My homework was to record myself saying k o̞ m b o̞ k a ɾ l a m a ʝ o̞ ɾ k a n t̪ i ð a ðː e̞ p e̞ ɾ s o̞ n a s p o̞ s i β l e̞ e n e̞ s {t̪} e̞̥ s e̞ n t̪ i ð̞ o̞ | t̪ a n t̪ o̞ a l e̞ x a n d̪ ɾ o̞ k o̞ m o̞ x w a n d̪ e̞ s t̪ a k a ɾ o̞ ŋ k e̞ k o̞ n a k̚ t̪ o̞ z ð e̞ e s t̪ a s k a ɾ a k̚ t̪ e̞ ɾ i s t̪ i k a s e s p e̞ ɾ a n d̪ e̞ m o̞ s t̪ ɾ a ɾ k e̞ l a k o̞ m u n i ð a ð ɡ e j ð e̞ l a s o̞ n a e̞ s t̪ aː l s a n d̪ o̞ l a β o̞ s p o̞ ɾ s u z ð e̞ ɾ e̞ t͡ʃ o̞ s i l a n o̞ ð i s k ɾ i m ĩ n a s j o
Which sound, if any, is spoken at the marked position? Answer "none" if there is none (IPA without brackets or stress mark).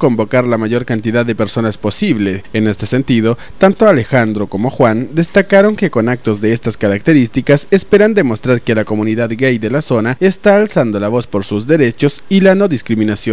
t̪